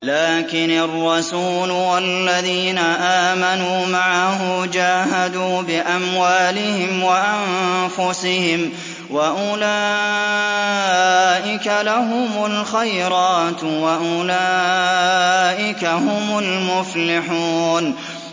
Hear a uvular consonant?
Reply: no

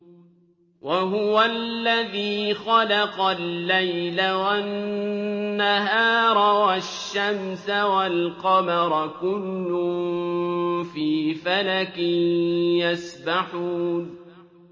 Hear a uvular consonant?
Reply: yes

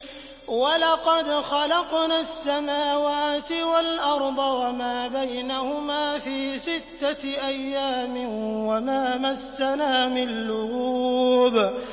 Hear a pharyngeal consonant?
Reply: no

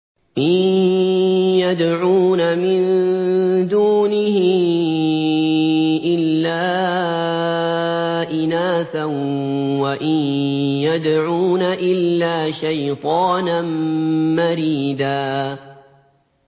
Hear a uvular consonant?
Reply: no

